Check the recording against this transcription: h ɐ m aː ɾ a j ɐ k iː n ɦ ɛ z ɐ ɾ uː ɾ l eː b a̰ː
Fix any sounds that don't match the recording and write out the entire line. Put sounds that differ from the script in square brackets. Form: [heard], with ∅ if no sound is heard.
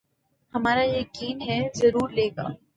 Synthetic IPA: h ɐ m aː ɾ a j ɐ k iː n ɦ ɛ z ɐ ɾ uː ɾ l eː [ɡ] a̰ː